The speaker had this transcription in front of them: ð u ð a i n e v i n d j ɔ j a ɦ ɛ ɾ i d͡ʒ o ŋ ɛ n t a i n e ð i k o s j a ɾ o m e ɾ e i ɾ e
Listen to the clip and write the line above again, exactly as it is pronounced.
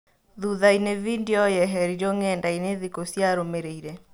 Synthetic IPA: ð u ð a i n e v i n d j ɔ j ɛ ɦ ɛ ɾ i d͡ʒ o ŋ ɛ n d a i n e ð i k o s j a ɾ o m e ɾ e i ɾ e